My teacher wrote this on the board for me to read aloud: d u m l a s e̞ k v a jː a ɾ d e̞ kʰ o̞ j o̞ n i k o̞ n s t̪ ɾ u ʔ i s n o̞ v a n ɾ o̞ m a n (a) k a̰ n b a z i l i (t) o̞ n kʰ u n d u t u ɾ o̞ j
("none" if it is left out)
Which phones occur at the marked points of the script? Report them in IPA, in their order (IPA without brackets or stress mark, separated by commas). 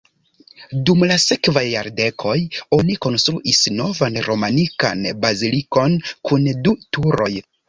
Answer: i, k